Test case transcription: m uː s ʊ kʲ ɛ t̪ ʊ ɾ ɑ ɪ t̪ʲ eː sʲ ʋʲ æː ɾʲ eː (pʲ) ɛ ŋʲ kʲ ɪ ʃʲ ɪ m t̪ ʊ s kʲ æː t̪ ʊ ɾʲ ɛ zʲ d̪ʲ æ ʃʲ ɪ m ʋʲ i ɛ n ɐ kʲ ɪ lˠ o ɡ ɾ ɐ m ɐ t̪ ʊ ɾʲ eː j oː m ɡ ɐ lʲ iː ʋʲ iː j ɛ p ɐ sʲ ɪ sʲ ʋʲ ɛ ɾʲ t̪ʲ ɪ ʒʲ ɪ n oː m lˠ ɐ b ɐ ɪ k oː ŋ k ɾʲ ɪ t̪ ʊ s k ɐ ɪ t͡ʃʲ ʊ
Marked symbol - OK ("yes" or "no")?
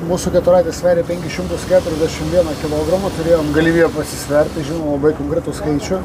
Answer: yes